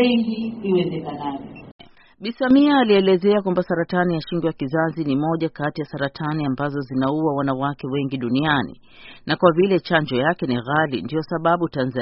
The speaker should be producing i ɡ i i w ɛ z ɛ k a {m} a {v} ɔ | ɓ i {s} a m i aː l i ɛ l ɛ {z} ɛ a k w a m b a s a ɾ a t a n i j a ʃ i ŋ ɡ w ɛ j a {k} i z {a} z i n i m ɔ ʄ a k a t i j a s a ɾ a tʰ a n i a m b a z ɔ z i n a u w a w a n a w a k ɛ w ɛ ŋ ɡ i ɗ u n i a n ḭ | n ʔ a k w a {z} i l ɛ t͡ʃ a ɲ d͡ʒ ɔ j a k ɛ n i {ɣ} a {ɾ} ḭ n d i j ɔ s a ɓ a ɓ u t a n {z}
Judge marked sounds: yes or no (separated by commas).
no, yes, yes, yes, yes, yes, no, yes, no, yes